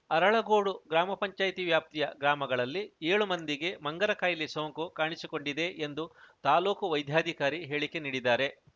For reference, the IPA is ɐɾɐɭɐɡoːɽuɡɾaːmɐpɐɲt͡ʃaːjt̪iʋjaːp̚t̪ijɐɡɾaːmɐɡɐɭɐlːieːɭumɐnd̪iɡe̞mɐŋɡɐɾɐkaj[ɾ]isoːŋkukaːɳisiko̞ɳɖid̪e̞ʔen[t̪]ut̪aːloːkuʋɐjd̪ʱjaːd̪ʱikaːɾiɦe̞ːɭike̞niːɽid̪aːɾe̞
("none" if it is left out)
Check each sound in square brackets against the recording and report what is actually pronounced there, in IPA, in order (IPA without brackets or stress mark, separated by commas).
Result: l, d̪